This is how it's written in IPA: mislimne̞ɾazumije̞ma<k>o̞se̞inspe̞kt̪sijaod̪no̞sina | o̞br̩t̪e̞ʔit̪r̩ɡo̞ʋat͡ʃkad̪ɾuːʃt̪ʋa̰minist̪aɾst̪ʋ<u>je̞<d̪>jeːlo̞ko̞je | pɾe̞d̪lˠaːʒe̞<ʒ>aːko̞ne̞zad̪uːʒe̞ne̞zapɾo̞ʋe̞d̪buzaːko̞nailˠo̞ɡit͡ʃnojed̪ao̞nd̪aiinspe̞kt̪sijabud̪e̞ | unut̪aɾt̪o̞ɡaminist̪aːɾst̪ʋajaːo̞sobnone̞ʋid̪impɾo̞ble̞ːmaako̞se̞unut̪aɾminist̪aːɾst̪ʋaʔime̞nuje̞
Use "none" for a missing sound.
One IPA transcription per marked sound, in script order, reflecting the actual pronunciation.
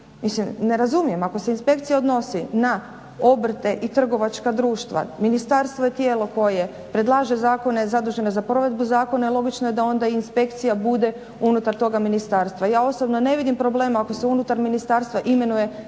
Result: k, o, t̪, z

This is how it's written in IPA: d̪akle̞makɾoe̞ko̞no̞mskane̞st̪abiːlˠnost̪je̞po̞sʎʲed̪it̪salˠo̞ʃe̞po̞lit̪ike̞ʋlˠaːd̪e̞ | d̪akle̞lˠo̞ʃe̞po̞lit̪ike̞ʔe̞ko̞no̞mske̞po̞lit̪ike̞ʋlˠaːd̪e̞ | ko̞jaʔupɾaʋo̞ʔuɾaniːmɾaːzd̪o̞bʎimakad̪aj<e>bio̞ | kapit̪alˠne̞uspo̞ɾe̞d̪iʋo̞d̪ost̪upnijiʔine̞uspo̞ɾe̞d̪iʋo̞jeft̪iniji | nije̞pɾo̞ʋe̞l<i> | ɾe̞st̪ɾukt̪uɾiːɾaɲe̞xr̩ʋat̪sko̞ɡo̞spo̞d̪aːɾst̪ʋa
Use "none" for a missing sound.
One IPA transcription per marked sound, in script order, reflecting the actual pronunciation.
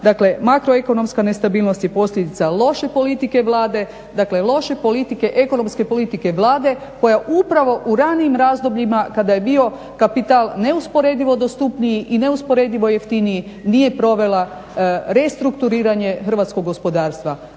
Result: e, a

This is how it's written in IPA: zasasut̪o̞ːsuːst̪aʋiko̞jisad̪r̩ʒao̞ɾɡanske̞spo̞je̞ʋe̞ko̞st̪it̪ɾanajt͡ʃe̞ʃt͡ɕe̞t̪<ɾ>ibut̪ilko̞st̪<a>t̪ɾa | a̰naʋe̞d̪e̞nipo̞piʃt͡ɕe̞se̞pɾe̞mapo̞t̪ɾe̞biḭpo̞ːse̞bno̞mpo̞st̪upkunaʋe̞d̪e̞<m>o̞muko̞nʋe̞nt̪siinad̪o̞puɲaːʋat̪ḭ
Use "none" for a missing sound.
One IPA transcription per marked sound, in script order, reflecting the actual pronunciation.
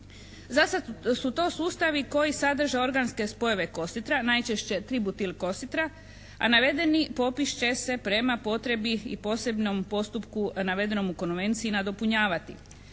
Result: ɾ, i, n

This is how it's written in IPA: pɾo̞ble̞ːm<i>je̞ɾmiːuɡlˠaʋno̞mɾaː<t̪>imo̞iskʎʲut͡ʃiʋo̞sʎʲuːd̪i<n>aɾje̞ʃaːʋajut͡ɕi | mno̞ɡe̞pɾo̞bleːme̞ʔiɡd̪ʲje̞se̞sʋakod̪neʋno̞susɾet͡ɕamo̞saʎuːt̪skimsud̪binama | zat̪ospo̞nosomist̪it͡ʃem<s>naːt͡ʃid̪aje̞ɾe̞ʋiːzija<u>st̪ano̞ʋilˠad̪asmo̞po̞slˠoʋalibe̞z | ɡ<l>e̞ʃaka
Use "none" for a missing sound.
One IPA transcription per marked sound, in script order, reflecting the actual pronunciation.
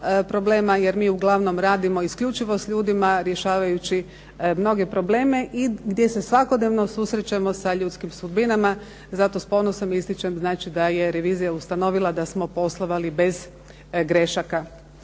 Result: a, d̪, m, z, u, ɾ

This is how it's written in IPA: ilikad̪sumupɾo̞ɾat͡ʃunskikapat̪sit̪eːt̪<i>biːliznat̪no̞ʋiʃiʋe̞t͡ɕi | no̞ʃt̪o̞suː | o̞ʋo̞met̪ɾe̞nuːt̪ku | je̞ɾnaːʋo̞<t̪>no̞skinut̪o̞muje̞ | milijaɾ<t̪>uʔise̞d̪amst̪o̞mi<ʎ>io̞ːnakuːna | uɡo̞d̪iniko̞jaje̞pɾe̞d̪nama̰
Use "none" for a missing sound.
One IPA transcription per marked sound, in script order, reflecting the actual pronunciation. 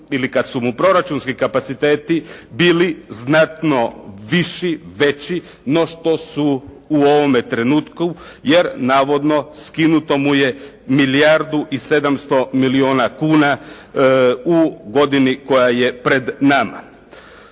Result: i, d̪, d̪, l

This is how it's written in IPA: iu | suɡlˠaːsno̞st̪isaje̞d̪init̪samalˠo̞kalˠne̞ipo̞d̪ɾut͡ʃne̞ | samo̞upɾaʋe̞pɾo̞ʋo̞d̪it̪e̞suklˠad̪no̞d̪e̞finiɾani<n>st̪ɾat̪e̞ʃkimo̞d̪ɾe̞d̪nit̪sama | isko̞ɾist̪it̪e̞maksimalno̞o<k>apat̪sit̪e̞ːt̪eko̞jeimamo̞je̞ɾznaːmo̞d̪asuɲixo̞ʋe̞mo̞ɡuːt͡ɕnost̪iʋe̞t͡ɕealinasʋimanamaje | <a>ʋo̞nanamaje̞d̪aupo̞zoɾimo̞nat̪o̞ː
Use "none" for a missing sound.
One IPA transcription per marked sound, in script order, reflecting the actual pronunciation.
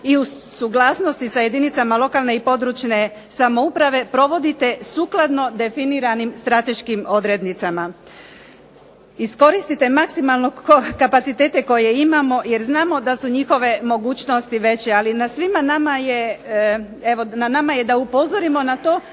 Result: m, k, e

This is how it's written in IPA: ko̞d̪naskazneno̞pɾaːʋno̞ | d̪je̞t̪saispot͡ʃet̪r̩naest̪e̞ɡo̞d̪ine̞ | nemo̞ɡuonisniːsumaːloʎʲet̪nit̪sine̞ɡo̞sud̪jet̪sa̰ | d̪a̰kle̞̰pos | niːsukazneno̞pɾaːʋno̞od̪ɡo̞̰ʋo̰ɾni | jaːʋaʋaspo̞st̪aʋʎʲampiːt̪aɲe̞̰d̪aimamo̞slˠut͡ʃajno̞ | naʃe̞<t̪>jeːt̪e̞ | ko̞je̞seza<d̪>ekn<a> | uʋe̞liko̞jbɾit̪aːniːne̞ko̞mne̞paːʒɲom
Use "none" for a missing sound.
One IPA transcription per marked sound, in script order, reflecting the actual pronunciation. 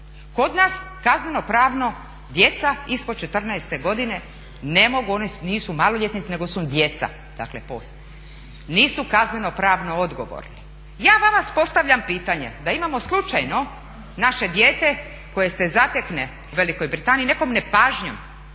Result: d̪, t̪, e

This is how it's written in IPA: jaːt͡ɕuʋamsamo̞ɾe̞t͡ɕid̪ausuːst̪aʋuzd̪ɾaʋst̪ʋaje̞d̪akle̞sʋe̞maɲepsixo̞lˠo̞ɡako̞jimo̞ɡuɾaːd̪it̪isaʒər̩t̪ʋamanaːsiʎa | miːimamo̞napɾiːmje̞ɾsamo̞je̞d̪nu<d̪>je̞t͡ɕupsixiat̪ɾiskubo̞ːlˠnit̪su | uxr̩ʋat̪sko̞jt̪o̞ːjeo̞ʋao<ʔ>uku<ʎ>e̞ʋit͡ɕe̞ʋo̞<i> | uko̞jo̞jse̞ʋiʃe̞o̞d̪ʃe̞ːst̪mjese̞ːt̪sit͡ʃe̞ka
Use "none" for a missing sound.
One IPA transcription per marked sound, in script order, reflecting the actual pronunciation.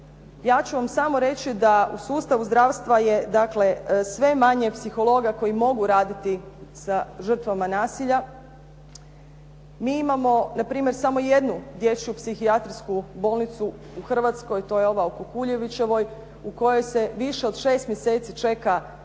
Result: d̪, k, ʎ, j

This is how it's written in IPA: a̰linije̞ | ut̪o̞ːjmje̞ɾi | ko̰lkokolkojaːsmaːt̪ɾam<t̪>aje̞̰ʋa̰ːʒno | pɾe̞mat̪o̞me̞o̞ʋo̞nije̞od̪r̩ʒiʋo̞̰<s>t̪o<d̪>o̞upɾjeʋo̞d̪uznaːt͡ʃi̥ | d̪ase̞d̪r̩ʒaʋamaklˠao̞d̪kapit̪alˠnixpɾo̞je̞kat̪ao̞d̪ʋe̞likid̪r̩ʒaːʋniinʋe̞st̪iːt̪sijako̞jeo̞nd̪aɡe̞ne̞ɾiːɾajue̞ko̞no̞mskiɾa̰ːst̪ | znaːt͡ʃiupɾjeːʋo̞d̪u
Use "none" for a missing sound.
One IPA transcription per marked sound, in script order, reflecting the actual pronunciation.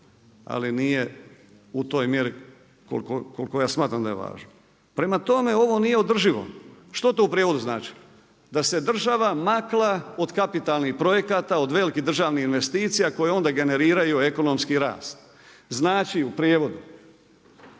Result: d̪, ʃ, t̪

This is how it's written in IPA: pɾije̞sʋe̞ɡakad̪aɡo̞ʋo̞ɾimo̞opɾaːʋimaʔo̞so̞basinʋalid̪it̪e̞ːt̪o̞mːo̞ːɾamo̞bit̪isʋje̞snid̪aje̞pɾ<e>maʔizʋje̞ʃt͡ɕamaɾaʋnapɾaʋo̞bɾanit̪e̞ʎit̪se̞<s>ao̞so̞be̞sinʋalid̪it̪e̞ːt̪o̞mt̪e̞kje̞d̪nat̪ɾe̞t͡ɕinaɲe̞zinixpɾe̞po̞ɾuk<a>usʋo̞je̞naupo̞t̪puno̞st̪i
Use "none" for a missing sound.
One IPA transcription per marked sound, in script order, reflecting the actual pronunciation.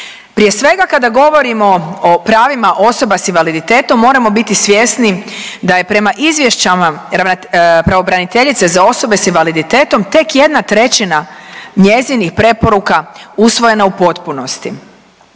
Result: e, z, a

